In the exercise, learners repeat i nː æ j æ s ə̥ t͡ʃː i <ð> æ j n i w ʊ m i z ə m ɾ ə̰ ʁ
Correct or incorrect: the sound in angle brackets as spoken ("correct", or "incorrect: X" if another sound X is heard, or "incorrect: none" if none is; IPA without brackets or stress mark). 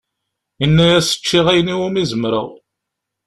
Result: incorrect: ʁ